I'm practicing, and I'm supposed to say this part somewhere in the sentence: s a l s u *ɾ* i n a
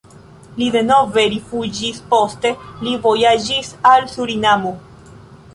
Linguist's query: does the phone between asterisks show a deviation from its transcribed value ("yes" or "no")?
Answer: no